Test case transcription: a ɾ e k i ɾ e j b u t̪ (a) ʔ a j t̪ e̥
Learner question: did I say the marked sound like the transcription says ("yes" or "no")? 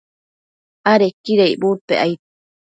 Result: no